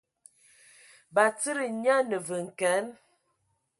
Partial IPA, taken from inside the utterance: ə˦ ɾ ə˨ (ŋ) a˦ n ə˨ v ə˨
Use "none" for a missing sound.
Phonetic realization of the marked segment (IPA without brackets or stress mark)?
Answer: ɲ